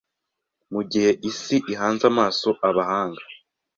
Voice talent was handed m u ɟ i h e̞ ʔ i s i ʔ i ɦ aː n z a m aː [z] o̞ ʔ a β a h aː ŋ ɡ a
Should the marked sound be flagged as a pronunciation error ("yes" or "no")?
yes